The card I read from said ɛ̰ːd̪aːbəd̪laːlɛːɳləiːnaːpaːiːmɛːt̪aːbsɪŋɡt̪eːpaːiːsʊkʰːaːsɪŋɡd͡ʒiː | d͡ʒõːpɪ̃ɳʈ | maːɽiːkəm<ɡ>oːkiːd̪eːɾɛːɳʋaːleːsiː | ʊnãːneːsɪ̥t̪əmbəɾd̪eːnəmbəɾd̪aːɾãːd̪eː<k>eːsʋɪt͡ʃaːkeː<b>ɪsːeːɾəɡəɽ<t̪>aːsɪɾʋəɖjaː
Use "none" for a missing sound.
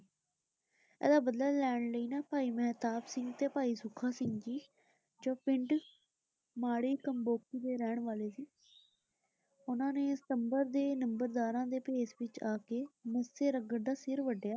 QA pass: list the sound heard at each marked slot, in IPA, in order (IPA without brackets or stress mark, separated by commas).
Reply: b, p, m, d̪